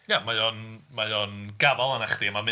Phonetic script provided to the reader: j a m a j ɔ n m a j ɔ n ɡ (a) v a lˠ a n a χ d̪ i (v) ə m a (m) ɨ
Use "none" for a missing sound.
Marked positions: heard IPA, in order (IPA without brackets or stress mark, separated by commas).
a, none, m